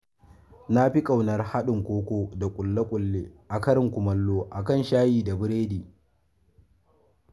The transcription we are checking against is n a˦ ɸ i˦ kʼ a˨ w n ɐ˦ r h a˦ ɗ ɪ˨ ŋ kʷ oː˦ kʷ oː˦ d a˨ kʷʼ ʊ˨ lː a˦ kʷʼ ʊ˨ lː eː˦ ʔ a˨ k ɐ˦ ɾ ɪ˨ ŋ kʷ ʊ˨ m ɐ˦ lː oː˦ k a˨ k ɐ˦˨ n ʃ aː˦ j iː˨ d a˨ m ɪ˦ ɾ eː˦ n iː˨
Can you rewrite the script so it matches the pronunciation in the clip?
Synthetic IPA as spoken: n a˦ ɸ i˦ kʼ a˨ w n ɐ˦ r h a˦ ɗ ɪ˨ ŋ kʷ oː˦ kʷ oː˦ d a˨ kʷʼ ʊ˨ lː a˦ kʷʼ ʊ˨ lː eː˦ ʔ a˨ k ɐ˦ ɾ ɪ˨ ŋ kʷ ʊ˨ m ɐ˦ lː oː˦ ʔ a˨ k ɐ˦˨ n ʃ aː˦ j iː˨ d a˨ b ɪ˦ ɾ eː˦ d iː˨